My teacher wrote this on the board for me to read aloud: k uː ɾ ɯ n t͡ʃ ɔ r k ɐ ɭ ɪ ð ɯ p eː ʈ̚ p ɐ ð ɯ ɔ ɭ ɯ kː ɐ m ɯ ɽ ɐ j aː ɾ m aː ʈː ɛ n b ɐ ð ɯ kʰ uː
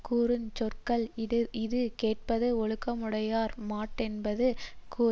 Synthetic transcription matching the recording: k uː ɾ ɯ n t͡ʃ ɔ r k ɐ ɭ ɪ ð ɯ k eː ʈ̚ p ɐ ð ɯ ɔ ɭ ɯ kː ɐ m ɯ ɽ ɐ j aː ɾ m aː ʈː ɛ n b ɐ ð ɯ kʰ uː